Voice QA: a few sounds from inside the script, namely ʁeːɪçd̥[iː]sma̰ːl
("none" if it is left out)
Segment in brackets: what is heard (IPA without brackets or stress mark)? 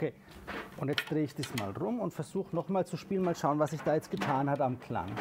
iː